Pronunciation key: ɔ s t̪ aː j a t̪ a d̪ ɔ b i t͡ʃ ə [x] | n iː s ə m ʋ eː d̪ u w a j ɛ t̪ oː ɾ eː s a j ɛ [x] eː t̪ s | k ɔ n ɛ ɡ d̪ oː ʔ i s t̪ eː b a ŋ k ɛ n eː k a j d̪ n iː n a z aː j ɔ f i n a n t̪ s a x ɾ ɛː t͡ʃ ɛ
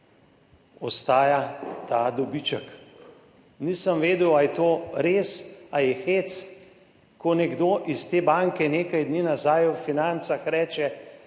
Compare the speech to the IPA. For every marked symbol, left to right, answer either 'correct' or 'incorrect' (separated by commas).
incorrect, correct